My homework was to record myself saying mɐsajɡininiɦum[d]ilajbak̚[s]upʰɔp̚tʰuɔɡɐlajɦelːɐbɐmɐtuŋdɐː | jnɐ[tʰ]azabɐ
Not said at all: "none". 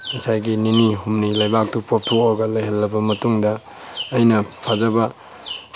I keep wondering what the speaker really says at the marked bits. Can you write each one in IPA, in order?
n, t, pʰ

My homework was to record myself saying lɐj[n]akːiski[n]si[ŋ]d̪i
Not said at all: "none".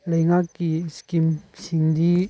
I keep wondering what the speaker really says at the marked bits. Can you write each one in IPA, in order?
ŋ, m, ŋ

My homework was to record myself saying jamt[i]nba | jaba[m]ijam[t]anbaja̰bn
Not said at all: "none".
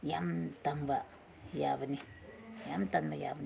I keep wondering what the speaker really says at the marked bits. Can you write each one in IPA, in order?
a, n, t

